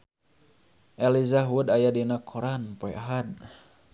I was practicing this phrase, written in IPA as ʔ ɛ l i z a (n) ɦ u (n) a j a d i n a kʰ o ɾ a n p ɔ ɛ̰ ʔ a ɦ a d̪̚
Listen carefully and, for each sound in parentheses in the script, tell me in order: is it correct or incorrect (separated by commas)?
incorrect, incorrect